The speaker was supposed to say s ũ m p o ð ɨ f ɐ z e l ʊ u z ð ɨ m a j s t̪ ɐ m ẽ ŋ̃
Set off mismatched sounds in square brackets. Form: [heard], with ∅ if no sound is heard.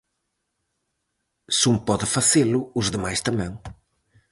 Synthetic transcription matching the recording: s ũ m p [ɔ] ð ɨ f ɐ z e l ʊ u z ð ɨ m a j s t̪ ɐ m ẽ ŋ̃

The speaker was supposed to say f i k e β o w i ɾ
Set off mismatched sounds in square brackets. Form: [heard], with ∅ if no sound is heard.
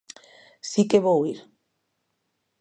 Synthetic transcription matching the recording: [s] i k e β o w i ɾ

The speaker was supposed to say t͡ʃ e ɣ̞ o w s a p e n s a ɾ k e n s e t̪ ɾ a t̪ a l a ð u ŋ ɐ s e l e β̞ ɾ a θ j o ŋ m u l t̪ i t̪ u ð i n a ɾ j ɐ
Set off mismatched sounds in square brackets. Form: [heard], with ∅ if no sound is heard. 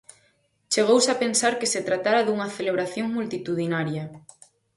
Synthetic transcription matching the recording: t͡ʃ e ɣ̞ o w s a p e n s a ɾ k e [∅] s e t̪ ɾ a t̪ a [ɾ] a ð u ŋ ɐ [θ] e l e β̞ ɾ a θ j o ŋ m u l t̪ i t̪ u ð i n a ɾ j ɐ

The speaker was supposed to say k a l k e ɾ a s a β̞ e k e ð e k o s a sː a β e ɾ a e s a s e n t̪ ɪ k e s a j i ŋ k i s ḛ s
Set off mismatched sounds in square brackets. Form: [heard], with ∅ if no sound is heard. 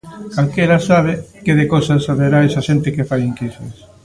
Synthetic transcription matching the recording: k a l k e ɾ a s a β̞ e k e ð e k o s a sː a β e ɾ a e s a [ʃ] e n t̪ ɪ k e [f] a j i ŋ k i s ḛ s

